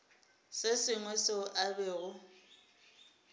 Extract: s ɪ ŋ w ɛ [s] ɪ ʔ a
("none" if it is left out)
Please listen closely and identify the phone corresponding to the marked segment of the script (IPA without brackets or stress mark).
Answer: s